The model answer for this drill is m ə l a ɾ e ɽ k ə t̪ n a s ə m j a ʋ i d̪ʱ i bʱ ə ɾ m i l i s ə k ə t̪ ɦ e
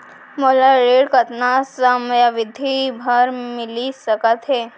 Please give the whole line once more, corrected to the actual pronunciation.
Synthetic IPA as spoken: m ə l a ɾ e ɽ k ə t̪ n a s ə m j a ʋ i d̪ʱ i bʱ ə ɾ m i l i s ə k ə t̪ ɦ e